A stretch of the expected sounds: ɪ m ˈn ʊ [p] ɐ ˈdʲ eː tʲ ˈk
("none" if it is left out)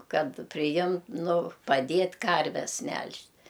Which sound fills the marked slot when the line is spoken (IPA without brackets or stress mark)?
p